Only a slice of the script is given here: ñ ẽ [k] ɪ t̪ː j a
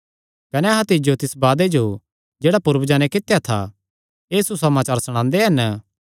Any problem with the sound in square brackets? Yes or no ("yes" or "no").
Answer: no